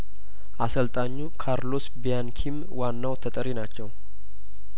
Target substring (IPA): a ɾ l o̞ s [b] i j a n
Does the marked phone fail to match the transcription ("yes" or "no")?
no